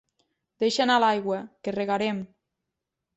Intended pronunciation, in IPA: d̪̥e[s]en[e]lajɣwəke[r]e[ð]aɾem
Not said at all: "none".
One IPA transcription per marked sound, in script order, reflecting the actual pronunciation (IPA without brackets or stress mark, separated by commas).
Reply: ʃ, a, r, ɣ